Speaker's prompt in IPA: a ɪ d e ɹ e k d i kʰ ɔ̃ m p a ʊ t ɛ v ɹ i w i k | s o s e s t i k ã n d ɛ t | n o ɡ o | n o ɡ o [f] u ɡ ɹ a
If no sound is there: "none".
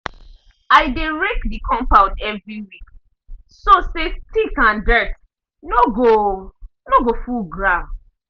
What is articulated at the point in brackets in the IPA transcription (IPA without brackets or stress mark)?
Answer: f